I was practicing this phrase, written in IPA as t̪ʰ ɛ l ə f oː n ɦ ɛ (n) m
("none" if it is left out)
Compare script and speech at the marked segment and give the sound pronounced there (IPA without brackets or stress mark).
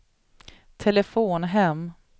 none